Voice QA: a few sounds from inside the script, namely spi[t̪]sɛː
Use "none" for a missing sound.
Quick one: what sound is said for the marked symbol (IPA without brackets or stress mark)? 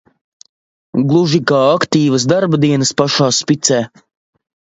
t̪